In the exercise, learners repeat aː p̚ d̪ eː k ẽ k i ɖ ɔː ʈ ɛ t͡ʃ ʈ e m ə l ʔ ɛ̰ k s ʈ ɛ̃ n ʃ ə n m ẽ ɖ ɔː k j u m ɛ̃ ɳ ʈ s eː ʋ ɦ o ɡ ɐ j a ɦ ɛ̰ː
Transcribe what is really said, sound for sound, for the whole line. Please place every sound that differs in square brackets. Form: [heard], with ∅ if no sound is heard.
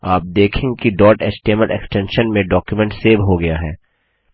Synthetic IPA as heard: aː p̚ d̪ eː [kʰ] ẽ k i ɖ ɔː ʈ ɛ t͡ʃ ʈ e m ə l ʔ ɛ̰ k s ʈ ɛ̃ n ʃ ə n m ẽ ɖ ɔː k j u m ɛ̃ ɳ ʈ s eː ʋ ɦ o ɡ ɐ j a ɦ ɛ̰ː